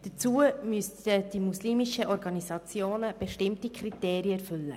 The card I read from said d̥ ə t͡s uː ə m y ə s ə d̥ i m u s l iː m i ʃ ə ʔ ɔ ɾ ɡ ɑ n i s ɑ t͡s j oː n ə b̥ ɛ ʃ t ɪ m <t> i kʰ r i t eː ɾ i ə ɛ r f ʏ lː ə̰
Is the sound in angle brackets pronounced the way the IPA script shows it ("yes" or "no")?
yes